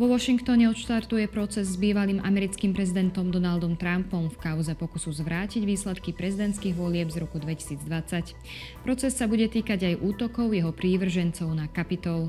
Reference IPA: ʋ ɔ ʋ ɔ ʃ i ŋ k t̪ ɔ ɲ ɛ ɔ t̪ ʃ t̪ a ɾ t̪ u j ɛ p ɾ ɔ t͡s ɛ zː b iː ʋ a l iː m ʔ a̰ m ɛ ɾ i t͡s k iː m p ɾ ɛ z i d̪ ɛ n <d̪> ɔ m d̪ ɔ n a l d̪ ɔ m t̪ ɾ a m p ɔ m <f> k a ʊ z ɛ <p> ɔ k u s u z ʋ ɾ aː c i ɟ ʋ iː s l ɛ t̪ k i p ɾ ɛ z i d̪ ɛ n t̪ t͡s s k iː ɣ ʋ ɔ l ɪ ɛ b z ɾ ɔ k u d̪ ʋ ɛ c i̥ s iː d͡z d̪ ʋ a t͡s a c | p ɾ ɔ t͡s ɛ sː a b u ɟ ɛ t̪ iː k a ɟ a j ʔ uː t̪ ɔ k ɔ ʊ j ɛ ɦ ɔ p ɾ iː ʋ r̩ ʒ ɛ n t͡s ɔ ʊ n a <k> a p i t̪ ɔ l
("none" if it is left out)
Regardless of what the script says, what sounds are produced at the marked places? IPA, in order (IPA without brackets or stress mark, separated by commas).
t̪, f, p, k